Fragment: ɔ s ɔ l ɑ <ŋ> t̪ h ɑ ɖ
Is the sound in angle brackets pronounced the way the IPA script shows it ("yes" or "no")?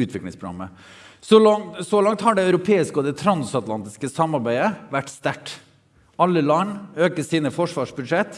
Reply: yes